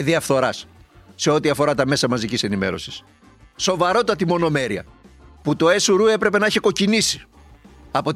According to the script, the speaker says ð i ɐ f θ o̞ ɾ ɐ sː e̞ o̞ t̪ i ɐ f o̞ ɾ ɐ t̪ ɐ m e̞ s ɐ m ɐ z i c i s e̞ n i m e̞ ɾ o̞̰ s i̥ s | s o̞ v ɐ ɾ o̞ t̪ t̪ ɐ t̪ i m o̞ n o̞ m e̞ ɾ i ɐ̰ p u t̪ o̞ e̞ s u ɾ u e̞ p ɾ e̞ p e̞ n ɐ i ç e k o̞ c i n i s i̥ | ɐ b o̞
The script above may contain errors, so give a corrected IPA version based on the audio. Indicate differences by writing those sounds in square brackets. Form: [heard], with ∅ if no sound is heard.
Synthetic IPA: ð i ɐ f θ o̞ ɾ ɐ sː e̞ o̞ t̪ i ɐ f o̞ ɾ ɐ t̪ ɐ m e̞ s ɐ m ɐ z i c i s e̞ n i m e̞ ɾ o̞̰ s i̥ s | s o̞ v ɐ ɾ o̞ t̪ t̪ ɐ t̪ i m o̞ n o̞ m e̞ ɾ i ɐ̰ p u t̪ o̞ e̞ s u ɾ u e̞ p ɾ e̞ p e̞ n ɐ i ç e k o̞ c i n i s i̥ | ɐ [p] o̞